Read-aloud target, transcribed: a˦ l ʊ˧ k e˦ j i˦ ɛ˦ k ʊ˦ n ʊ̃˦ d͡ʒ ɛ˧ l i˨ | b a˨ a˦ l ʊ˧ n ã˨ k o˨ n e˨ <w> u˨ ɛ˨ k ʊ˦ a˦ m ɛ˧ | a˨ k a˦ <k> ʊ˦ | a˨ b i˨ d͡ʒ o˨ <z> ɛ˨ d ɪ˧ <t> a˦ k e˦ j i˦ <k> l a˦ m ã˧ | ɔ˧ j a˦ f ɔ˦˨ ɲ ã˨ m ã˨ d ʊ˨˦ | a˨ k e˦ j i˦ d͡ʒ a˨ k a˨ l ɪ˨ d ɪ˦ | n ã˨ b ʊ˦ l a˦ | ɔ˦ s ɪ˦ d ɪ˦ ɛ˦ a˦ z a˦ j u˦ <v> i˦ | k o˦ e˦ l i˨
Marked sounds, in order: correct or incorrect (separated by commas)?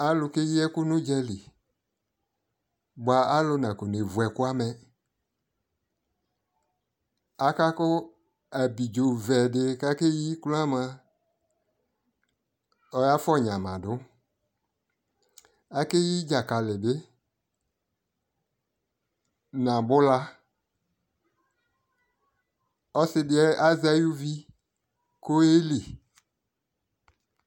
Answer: incorrect, correct, incorrect, incorrect, correct, correct